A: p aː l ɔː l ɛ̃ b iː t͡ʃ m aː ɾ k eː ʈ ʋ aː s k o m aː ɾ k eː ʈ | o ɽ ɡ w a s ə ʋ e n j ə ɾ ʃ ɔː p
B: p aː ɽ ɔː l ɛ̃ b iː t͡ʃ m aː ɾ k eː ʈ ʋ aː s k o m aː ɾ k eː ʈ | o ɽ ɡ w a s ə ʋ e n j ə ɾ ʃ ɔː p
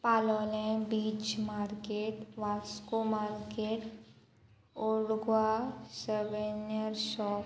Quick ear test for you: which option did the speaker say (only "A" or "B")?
A